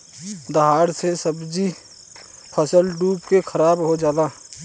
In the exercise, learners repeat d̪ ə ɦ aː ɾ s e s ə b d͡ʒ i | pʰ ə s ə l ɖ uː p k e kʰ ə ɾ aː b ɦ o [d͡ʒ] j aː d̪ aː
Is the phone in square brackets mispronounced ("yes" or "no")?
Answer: no